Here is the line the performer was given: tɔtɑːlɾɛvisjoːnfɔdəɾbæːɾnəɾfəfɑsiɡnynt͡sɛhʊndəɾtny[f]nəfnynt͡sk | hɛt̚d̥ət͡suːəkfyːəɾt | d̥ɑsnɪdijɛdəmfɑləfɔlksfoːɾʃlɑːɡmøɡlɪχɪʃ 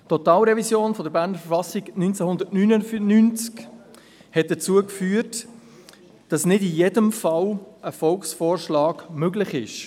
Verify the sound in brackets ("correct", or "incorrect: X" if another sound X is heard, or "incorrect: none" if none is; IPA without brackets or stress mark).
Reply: incorrect: none